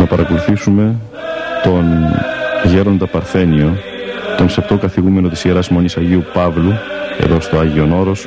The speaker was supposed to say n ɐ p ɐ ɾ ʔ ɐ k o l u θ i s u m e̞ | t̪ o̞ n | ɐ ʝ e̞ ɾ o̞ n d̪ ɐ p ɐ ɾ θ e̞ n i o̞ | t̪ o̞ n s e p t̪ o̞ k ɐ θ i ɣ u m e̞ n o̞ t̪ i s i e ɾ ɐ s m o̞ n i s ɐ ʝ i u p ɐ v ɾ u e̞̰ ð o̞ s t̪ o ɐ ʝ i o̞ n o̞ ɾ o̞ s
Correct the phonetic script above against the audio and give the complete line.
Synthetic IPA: n ɐ p ɐ ɾ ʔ ɐ k o l u θ i s u m e̞ | t̪ o̞ n | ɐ ʝ e̞ ɾ o̞ n d̪ ɐ p ɐ ɾ θ e̞ n i o̞ | t̪ o̞ n s e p t̪ o̞ k ɐ θ i ɣ u m e̞ n o̞ t̪ i s i e ɾ ɐ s m o̞ n i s ɐ ʝ i u p ɐ v l u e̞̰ ð o̞ s t̪ o ɐ ʝ i o̞ n o̞ ɾ o̞ s